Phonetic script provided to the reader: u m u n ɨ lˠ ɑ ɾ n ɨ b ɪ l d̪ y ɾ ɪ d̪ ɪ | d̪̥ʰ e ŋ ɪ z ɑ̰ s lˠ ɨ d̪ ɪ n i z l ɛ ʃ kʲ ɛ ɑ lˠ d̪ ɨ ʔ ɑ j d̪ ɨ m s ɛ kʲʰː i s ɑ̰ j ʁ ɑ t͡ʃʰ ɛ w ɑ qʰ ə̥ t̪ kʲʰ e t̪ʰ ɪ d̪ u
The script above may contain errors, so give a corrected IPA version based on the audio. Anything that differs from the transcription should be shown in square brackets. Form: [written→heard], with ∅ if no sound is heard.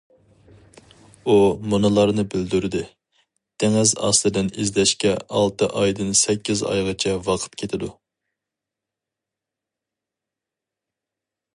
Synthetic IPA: u m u n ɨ lˠ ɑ ɾ n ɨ b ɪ l d̪ y ɾ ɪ d̪ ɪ | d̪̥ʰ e ŋ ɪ z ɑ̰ s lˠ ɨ d̪ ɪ n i z l ɛ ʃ kʲ ɛ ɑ lˠ [d̪→t̪] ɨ ʔ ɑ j d̪ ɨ [m→n] s ɛ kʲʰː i [s→z] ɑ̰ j ʁ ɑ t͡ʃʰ ɛ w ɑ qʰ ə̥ t̪ kʲʰ e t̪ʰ ɪ d̪ u